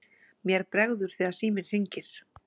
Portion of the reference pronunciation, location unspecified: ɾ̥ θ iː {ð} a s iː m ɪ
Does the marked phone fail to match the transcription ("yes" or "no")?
no